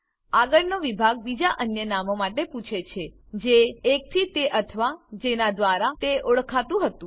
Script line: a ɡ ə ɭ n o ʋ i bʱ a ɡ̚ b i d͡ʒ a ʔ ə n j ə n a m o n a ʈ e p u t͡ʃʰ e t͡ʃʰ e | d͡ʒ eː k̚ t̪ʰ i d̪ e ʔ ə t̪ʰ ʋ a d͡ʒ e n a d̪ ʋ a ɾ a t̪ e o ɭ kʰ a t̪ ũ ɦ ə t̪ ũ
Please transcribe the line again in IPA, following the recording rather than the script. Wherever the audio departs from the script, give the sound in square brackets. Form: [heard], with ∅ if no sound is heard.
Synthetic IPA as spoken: a ɡ ə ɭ n o ʋ i bʱ a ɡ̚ b i d͡ʒ a ʔ ə n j ə n a m o [m] a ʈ e p u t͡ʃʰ e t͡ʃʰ e | d͡ʒ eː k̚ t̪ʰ i [t̪] e ʔ ə t̪ʰ ʋ a d͡ʒ e n a d̪ ʋ a ɾ a t̪ e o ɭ kʰ a t̪ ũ ɦ ə t̪ ũ